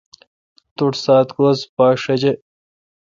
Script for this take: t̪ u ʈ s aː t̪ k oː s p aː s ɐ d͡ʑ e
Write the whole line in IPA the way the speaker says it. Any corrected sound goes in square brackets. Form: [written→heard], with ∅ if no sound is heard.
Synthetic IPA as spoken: t̪ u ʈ s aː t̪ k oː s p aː [s→ʂ] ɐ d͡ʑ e

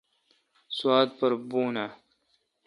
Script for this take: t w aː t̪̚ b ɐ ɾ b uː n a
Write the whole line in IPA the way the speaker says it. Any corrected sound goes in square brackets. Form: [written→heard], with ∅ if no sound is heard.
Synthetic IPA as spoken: [t→s] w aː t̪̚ [b→p] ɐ ɾ b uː n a

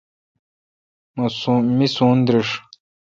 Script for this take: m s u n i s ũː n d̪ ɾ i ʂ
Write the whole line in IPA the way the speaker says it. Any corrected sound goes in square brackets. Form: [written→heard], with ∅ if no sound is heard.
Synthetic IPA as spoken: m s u [n→m] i s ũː n d̪ ɾ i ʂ

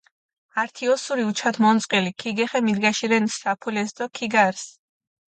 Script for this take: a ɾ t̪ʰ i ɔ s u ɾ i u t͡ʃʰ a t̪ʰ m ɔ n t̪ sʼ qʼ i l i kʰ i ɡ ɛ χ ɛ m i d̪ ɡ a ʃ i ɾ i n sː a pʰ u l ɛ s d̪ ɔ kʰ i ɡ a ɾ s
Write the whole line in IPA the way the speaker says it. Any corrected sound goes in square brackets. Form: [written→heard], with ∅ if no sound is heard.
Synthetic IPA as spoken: a ɾ t̪ʰ i ɔ s u ɾ i u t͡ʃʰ a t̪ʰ m ɔ n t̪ sʼ qʼ i l i kʰ i ɡ ɛ χ ɛ m i d̪ ɡ a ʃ i ɾ [i→ɛ] n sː a pʰ u l ɛ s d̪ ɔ kʰ i ɡ a ɾ s

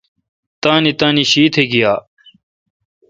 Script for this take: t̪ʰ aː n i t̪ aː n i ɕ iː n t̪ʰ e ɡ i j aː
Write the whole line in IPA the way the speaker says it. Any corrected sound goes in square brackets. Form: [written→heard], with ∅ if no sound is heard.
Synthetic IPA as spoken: [t̪ʰ→t̪] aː n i t̪ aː n i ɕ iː [n→∅] t̪ʰ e ɡ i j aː

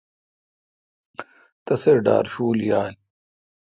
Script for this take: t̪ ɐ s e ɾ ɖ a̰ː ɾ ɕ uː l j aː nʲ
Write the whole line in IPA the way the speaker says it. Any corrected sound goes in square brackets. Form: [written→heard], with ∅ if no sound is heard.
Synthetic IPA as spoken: t̪ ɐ s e ɾ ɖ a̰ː ɾ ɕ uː l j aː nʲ

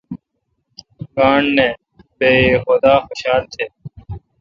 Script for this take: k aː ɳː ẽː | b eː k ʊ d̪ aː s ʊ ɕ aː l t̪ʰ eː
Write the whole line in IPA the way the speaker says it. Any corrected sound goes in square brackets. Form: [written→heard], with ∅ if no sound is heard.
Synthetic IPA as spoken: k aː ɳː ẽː | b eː [k→x] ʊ d̪ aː [s→x] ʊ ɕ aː l t̪ʰ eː

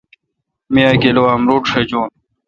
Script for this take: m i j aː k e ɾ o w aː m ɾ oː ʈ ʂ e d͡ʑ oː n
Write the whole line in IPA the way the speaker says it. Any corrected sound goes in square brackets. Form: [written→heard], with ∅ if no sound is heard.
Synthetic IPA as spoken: m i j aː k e [ɾ→l] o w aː m ɾ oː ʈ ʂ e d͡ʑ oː n

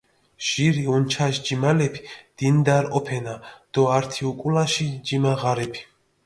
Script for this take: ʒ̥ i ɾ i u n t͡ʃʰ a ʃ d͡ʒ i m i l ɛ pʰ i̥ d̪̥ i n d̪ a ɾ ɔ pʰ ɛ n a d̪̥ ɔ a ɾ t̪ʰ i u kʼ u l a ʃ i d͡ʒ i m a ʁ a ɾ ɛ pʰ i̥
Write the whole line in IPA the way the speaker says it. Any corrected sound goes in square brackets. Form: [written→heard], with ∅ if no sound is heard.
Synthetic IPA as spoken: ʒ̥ i ɾ i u n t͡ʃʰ a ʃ d͡ʒ i m [i→a] l ɛ pʰ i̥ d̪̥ i n d̪ a ɾ ɔ pʰ ɛ n a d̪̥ ɔ a ɾ t̪ʰ i u kʼ u l a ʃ i d͡ʒ i m a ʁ a ɾ ɛ pʰ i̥

